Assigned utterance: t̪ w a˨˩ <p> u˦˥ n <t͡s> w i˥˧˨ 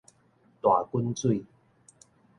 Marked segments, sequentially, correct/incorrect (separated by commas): incorrect, correct